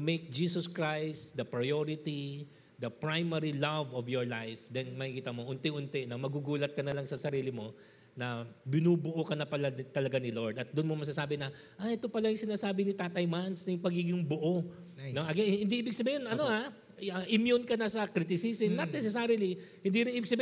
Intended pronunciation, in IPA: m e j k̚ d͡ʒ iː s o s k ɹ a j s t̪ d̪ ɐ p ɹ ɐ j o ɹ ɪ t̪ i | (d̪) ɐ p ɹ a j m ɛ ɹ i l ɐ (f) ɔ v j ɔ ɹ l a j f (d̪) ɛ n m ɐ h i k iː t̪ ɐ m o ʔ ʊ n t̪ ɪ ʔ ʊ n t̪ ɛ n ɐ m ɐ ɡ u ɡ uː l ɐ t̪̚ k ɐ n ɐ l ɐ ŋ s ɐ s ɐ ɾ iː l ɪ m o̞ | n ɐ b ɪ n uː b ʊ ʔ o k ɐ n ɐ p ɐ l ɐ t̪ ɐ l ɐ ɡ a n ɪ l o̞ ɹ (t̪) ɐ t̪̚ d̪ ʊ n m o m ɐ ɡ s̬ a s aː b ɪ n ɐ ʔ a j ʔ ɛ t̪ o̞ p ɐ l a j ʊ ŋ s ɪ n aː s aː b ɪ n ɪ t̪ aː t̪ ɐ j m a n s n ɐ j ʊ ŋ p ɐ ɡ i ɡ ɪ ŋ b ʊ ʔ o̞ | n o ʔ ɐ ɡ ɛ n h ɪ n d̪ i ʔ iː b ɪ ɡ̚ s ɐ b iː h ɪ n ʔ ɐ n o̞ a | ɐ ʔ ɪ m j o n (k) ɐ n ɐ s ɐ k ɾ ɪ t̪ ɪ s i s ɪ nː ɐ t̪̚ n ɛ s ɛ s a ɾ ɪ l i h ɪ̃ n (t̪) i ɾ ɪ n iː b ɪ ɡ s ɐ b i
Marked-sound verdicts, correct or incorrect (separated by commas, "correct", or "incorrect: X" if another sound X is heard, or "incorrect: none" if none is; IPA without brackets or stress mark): correct, incorrect: v, correct, incorrect: d̪, correct, incorrect: d̪